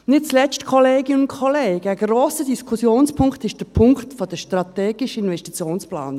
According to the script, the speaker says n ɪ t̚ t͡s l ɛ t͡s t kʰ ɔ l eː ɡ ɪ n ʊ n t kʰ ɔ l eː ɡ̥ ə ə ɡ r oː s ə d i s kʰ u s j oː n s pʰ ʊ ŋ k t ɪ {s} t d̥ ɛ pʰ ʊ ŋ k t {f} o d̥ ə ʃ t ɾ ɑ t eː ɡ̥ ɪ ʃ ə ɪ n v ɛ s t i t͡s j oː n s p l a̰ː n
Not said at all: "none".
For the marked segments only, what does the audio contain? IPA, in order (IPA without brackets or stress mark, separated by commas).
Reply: ʃ, f